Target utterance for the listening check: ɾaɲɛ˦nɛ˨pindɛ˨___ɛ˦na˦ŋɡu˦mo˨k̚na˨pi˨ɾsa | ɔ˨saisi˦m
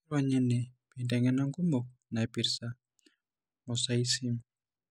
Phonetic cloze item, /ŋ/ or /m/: ŋ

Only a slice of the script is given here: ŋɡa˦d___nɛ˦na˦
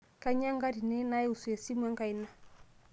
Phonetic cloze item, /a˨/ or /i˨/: i˨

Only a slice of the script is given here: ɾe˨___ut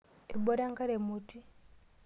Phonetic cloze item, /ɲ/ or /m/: m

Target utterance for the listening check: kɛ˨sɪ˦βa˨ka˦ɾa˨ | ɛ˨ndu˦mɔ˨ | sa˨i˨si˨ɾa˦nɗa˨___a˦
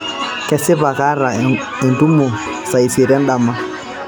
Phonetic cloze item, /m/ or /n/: m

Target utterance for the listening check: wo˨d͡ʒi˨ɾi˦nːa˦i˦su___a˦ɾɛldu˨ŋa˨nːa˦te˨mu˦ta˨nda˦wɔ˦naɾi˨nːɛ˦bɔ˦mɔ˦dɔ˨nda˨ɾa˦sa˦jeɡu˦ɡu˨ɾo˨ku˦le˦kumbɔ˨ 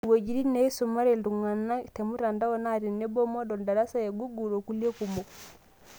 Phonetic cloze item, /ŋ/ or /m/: m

